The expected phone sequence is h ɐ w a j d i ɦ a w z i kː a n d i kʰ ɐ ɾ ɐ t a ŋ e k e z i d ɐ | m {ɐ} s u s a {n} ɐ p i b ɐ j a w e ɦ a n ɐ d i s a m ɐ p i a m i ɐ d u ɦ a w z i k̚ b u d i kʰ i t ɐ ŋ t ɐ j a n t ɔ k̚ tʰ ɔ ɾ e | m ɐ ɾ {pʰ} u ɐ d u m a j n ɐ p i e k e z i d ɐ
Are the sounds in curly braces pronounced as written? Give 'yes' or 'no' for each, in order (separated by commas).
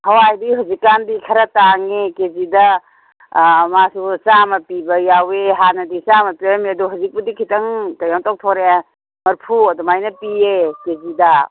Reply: no, no, yes